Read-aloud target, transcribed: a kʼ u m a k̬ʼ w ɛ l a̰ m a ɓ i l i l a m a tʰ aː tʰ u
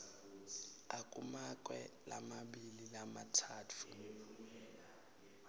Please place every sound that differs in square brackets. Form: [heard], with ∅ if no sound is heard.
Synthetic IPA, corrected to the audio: a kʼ u m a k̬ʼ w ɛ l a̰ m a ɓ i l i l a m a tʰ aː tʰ u

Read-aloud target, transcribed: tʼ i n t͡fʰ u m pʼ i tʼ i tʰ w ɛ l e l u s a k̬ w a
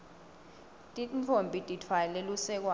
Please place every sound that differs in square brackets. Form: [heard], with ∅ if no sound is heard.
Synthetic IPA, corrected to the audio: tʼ i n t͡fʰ [o] m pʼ i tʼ i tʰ w [a] l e l u s [ɛ] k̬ w a

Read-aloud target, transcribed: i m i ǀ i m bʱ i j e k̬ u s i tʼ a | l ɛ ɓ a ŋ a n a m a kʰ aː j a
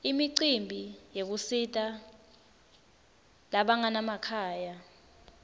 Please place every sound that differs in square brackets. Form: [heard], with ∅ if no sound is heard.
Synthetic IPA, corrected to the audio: i m i ǀ i m bʱ i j e k̬ u s i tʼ a | l [a] ɓ a ŋ a n a m a kʰ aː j a

